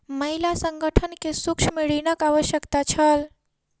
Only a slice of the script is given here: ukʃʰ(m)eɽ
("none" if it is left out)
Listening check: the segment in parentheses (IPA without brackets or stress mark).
m